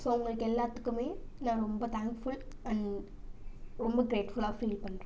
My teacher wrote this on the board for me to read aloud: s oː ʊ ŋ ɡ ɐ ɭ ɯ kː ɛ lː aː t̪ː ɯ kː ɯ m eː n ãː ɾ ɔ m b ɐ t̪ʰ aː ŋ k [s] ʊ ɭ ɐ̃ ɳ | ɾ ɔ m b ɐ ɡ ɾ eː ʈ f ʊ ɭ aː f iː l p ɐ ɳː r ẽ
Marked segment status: incorrect: f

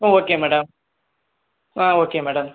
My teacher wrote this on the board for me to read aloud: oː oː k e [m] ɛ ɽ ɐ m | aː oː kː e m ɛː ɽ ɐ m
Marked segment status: correct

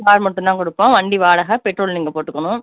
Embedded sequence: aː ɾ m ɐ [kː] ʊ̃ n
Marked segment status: incorrect: ʈː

